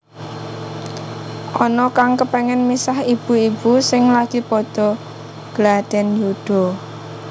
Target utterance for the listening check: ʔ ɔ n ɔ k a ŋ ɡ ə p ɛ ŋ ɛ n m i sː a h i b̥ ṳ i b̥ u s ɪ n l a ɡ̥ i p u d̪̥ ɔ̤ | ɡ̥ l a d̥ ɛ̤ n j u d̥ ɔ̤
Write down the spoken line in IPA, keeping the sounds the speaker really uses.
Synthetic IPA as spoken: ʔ ɔ n ɔ k a ŋ k ə p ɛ ŋ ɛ n m i s a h i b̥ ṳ i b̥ u s ɪ ŋ l a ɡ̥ i p ɔ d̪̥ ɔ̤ | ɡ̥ l a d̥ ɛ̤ n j u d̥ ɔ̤